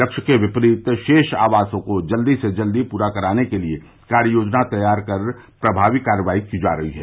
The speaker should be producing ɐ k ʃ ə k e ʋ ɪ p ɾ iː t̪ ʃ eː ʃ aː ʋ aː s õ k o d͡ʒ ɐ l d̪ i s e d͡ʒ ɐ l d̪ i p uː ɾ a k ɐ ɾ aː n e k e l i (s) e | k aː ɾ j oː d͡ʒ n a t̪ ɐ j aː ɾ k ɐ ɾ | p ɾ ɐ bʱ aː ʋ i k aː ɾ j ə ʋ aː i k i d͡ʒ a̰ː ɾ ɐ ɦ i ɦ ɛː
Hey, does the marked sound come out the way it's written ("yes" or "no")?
no